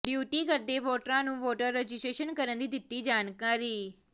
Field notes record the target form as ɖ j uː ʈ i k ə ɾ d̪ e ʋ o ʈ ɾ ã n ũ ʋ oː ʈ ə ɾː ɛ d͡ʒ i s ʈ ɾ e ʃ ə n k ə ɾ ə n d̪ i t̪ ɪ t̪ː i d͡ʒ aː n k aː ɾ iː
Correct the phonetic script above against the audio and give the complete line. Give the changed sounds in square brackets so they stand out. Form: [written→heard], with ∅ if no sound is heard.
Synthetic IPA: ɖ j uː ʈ i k ə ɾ d̪ e ʋ o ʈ ɾ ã n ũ ʋ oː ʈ ə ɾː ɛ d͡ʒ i s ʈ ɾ e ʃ ə n k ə ɾ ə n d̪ i [t̪→d̪] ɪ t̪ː i d͡ʒ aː n k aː ɾ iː